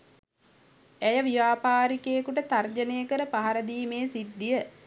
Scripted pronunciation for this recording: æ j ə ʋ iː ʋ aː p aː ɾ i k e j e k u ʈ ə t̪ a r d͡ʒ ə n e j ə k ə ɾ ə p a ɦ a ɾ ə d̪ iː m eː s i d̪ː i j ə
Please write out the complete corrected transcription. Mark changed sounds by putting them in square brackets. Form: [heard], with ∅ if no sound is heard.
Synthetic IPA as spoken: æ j ə ʋ [i] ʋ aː p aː ɾ i k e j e k u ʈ ə t̪ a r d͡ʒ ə n e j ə k ə ɾ ə p a ɦ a ɾ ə d̪ iː m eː s i d̪ː i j ə